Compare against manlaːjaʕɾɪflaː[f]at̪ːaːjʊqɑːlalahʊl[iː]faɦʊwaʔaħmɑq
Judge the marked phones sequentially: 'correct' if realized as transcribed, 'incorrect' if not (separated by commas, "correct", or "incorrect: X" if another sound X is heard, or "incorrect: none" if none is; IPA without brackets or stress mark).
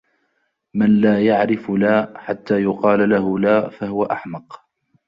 incorrect: ħ, incorrect: aː